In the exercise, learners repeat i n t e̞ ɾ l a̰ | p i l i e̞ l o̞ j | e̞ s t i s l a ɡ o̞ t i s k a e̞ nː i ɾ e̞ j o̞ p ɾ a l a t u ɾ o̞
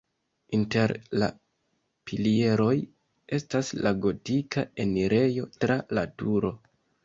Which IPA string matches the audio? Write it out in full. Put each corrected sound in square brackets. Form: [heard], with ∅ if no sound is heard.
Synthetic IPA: i n t e̞ ɾ l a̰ | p i l i e̞ [ɾ] o̞ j | e̞ s t [a] s l a ɡ o̞ t i [∅] k a e̞ [n] i ɾ e̞ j o̞ [t] ɾ a l a t u ɾ o̞